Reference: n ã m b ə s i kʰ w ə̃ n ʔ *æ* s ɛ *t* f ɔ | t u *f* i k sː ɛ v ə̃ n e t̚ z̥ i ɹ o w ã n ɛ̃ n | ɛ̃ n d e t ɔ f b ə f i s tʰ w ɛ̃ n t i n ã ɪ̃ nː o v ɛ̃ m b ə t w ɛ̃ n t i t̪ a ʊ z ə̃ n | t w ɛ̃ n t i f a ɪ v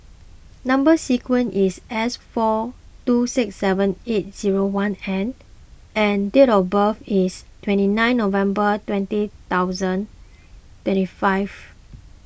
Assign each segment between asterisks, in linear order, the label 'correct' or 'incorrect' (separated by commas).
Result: incorrect, incorrect, incorrect